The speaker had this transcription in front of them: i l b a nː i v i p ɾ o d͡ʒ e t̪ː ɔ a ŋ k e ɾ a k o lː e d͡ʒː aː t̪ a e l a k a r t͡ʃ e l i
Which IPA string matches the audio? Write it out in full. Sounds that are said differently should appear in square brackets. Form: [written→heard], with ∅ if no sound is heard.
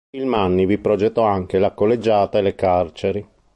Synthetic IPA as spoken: i l [b→m] a nː i v i p ɾ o d͡ʒ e t̪ː ɔ a ŋ k e [ɾ→l] a k o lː e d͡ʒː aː t̪ a e l [a→e] k a r t͡ʃ e [l→ɾ] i